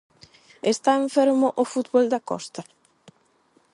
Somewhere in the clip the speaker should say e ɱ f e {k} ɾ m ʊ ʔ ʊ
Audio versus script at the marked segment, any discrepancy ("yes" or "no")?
yes